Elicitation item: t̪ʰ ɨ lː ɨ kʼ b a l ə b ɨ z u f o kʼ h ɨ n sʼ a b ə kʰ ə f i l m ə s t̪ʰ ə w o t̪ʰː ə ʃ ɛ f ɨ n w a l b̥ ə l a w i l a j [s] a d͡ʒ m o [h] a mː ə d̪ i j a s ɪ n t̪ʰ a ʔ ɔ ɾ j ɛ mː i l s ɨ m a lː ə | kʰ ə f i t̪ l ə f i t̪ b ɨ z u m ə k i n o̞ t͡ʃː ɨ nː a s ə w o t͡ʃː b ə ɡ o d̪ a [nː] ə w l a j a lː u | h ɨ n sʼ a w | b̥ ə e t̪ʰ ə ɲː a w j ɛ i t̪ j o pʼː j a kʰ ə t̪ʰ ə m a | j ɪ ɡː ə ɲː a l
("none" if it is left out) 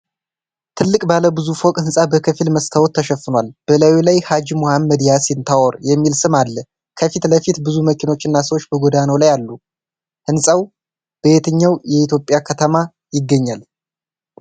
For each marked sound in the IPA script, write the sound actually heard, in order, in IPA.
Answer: h, h, n

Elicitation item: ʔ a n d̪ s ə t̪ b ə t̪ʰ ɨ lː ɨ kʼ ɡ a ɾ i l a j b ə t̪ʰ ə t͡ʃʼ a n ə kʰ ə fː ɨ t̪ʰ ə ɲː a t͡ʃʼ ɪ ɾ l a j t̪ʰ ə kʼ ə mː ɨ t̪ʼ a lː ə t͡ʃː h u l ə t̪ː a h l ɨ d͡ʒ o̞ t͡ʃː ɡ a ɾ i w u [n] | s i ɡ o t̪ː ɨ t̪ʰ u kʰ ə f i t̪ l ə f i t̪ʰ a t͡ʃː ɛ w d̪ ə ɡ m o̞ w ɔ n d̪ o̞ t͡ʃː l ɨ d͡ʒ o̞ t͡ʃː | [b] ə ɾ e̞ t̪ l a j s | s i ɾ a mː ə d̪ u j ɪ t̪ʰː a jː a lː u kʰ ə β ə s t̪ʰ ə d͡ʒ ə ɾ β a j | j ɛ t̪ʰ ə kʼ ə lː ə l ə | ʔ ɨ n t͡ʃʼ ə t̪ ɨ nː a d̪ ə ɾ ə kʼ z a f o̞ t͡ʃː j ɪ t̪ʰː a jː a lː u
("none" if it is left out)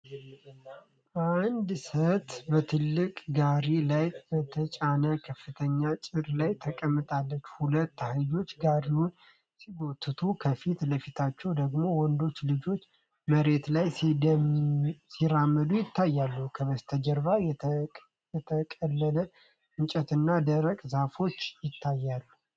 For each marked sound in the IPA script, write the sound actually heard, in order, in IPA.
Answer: n, m

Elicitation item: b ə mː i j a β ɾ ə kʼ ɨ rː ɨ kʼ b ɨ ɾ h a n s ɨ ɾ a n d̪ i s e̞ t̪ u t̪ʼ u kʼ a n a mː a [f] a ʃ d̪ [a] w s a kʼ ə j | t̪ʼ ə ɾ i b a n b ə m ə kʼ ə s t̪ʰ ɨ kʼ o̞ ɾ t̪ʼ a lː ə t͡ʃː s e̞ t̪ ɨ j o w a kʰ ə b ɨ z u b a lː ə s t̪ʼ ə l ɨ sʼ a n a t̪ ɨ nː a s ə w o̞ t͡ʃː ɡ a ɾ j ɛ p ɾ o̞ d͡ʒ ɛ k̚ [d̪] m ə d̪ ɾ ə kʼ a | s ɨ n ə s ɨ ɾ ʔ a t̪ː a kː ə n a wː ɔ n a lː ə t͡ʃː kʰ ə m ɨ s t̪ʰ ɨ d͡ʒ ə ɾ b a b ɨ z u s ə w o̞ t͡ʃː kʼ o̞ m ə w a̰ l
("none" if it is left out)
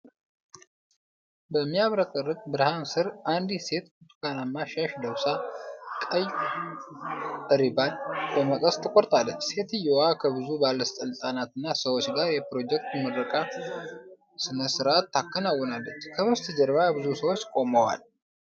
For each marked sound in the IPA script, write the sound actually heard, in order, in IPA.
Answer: ʃ, ə, t̪

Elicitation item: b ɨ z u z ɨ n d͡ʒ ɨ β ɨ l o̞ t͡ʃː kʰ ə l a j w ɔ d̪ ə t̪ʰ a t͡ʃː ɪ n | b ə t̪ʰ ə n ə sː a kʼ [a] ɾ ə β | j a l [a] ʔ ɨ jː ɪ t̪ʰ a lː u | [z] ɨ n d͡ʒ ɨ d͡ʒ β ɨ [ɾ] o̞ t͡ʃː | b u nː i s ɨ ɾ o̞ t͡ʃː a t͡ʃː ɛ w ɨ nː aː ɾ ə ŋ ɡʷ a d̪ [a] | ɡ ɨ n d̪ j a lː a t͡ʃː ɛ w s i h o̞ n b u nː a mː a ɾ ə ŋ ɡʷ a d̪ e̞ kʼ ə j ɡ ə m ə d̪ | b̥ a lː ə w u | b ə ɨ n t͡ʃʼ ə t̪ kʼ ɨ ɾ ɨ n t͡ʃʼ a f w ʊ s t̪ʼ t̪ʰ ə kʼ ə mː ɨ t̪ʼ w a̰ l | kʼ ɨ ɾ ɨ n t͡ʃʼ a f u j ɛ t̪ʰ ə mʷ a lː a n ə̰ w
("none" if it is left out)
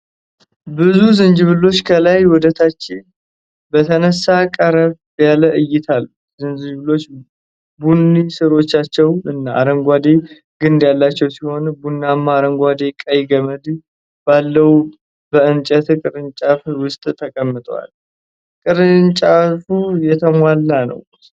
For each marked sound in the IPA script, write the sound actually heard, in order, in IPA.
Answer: ə, ə, z, l, e

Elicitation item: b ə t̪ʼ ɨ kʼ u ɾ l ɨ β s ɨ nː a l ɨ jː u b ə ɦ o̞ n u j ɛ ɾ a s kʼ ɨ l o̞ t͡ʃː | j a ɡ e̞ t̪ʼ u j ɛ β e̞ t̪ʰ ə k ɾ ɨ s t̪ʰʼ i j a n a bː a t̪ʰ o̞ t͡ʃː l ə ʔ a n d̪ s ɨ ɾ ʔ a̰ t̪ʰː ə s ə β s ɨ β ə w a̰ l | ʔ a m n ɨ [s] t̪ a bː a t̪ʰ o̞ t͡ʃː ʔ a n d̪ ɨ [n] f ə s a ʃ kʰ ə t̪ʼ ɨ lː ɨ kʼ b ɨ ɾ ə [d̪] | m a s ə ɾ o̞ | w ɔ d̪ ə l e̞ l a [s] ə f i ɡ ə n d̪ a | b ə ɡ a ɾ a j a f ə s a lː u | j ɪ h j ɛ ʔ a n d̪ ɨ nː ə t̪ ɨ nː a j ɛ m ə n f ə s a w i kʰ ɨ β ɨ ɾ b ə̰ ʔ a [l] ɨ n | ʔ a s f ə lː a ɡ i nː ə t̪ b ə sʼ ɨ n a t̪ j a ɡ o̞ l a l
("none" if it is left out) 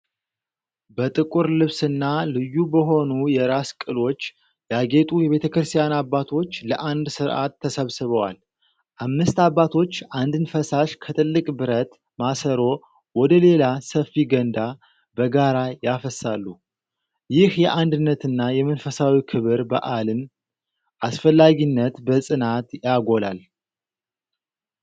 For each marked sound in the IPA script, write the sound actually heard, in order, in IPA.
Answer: s, n, t̪, s, l

